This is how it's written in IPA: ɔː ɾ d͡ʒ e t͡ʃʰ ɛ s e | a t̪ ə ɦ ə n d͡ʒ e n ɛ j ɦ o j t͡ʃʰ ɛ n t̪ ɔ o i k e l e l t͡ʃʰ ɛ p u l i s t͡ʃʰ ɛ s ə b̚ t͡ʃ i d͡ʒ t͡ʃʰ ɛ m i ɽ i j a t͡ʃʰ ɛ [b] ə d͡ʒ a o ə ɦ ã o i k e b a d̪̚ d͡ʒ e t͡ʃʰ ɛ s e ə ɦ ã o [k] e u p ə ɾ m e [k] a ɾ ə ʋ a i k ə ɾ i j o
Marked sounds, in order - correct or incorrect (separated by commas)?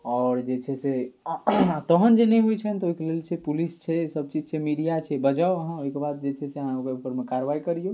correct, correct, correct